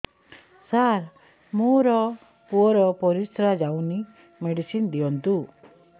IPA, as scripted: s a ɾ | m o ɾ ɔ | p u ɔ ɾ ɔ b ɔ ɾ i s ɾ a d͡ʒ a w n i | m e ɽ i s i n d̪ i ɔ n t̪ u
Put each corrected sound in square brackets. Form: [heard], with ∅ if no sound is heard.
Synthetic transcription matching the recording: s a ɾ | m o ɾ ɔ | p u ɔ ɾ ɔ [p] ɔ ɾ i s ɾ a d͡ʒ a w n i | m e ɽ i s i n d̪ i ɔ n t̪ u